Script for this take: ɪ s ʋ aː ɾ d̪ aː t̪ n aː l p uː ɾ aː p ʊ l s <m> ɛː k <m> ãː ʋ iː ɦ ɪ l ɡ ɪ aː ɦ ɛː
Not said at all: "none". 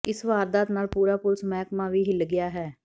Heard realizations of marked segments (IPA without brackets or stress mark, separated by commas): m, m